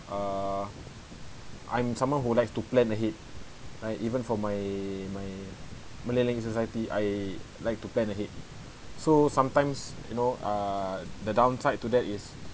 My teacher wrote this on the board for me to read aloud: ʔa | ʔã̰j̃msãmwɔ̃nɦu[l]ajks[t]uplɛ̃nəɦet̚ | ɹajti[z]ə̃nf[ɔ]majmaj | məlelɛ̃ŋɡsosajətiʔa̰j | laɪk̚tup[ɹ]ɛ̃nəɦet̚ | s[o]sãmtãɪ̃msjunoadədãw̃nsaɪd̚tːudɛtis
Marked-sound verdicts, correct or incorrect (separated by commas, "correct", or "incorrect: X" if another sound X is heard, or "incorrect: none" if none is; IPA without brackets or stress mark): correct, correct, incorrect: v, correct, incorrect: l, correct